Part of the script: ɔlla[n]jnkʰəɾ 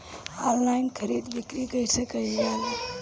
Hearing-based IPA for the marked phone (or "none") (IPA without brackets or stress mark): none